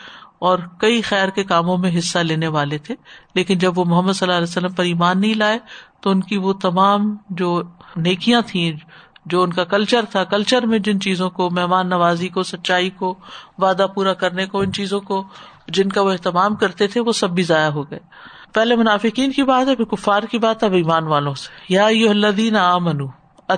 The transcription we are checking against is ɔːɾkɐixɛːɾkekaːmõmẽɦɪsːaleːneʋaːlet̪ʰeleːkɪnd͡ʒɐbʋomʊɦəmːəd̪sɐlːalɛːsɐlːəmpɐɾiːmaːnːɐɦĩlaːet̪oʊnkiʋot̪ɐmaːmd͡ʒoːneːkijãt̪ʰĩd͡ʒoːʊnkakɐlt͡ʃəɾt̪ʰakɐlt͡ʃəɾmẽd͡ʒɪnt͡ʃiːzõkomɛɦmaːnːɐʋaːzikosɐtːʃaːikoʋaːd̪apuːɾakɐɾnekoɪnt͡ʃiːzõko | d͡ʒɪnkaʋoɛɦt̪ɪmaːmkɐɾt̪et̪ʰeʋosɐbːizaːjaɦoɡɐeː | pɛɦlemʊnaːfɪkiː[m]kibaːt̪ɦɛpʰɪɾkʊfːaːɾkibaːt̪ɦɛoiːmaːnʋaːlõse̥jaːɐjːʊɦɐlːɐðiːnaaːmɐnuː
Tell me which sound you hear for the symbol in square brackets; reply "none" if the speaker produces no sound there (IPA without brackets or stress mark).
n